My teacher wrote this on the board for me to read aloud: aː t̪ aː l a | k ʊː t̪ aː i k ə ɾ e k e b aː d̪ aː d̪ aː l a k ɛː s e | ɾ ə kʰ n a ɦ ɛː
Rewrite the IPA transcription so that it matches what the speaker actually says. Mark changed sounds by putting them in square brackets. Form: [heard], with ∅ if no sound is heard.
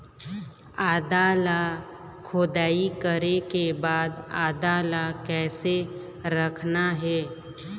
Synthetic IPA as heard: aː [d̪] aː l a | [kʰ] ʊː [d̪] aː i k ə ɾ e k e b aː d̪ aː d̪ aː l a k ɛː s e | ɾ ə kʰ n a ɦ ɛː